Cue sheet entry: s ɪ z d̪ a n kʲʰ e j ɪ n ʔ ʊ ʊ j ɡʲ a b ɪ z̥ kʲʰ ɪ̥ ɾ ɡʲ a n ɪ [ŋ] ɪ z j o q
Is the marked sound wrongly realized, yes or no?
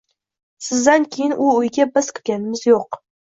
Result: yes